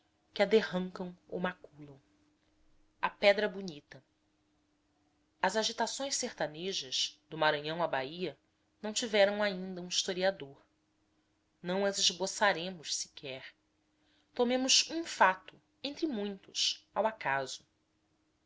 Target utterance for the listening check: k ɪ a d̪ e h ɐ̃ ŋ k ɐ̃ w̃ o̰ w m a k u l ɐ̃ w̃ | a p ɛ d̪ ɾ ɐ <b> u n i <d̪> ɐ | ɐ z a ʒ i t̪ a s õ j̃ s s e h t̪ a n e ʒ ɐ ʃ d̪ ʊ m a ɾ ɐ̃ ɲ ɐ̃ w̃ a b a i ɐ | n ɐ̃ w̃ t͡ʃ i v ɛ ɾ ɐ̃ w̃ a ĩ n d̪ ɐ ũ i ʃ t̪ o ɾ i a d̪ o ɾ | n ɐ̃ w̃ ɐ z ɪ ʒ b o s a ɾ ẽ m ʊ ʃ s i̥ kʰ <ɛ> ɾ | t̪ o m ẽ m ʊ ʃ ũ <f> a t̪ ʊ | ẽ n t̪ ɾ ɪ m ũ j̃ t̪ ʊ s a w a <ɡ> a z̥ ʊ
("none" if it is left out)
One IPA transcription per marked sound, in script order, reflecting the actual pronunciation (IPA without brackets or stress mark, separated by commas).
b, t̪, ɛ, f, k